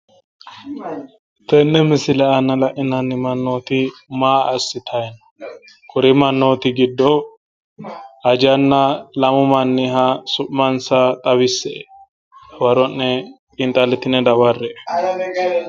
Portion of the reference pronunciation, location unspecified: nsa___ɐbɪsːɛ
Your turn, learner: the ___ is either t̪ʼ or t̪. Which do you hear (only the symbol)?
t̪ʼ